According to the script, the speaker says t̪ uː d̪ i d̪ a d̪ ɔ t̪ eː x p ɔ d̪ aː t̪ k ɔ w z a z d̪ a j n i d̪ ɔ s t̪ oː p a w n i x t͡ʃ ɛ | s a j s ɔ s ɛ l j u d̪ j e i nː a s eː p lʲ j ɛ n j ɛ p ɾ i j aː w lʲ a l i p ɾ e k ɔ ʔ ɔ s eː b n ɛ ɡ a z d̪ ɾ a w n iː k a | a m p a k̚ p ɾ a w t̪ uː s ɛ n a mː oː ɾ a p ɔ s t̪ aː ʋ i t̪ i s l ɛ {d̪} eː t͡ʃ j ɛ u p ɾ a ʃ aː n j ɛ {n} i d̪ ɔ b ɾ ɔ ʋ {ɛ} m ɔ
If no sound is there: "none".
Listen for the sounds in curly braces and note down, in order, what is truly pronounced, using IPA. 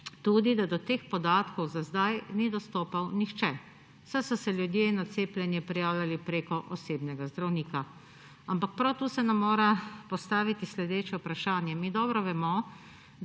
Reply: d̪, m, ɛ

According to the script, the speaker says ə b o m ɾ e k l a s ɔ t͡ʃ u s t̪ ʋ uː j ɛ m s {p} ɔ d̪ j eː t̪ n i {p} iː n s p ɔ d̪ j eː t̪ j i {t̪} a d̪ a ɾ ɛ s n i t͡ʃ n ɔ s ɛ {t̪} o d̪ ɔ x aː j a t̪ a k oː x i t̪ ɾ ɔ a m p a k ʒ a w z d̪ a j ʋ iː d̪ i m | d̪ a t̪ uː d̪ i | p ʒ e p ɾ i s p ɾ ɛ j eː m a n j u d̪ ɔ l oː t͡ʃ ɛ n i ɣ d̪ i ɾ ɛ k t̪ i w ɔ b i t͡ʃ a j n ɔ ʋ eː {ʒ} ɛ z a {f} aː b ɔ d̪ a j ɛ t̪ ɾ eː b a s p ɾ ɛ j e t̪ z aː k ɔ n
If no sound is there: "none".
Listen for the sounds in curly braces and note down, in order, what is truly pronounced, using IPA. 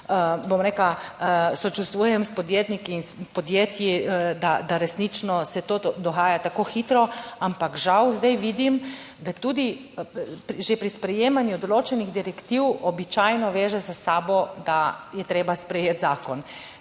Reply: p, k, d̪, t̪, ʒ, s

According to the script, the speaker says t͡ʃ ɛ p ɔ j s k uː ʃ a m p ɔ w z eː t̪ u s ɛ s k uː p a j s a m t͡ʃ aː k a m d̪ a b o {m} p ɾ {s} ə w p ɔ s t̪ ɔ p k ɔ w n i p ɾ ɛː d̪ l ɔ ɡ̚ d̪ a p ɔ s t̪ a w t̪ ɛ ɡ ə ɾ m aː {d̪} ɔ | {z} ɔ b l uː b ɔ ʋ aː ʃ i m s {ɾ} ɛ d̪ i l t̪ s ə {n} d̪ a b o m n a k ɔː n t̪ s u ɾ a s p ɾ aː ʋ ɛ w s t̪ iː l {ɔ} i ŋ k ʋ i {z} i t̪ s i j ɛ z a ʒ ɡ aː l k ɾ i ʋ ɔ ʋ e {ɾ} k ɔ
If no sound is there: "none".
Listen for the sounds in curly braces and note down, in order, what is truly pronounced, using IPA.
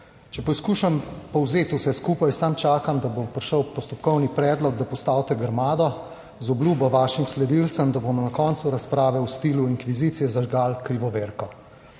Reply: m, ʃ, d̪, z, l, m, u, z, ɾ

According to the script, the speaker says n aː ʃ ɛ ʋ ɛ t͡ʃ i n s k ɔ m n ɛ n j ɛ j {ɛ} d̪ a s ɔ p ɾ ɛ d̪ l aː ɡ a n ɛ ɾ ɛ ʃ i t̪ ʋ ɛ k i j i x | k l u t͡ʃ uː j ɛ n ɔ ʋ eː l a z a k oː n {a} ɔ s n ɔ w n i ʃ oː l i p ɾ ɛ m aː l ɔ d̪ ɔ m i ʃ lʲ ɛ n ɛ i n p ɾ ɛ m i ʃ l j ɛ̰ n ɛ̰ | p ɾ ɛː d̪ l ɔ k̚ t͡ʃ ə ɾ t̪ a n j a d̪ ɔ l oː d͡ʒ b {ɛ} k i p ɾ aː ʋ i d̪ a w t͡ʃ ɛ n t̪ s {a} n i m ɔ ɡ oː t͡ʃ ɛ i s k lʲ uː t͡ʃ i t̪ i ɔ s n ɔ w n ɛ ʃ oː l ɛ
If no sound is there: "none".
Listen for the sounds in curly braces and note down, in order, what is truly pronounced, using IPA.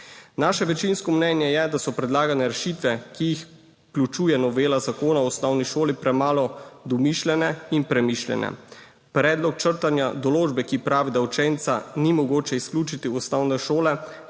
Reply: ɛ, a, ɛ, a

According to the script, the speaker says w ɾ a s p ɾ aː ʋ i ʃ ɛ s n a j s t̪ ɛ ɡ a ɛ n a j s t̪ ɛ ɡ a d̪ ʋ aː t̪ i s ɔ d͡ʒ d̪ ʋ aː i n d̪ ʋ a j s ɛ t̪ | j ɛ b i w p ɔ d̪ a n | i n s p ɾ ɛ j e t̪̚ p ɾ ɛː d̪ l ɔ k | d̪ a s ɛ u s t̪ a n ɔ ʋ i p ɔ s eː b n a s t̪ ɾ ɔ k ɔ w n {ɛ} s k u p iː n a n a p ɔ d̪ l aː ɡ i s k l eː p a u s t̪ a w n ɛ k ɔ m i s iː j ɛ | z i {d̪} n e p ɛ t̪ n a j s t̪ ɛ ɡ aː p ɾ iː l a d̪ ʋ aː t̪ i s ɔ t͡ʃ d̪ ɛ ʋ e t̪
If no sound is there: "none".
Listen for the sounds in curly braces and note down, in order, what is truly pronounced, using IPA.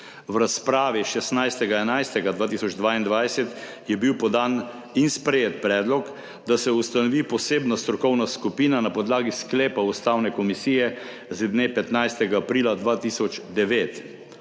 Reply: a, d̪

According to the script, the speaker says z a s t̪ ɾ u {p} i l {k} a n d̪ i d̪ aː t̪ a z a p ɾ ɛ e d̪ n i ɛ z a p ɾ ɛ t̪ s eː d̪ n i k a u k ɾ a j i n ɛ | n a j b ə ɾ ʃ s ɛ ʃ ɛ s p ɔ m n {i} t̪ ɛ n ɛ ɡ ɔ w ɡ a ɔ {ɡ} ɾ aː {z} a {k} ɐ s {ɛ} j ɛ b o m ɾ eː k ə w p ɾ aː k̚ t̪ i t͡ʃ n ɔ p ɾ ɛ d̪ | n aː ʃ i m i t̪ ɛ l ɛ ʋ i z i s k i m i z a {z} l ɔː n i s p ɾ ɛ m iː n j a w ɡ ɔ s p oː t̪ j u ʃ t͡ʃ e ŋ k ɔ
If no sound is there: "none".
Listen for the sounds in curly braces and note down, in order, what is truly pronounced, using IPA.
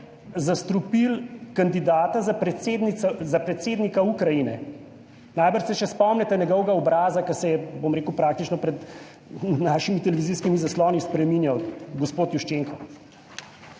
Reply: p, k, ɛ, b, z, k, ɛ, s

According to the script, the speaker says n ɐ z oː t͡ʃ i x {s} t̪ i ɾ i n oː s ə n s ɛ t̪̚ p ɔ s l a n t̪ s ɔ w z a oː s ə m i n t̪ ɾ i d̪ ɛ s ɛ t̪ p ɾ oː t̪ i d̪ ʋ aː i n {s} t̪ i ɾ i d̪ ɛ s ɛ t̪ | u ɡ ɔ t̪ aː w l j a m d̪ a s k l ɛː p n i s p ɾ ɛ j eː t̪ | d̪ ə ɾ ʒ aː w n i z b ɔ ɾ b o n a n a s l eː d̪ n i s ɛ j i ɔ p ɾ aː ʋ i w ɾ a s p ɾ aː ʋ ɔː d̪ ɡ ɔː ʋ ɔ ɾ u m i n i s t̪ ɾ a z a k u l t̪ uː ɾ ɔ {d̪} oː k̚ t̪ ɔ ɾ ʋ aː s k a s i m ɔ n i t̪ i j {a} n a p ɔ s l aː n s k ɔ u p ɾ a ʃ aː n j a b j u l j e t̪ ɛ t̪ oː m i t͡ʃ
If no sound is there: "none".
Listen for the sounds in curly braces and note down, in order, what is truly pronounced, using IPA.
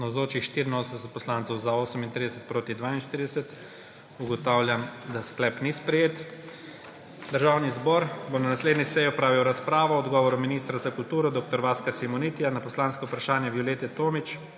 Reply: ʃ, ʃ, d̪, a

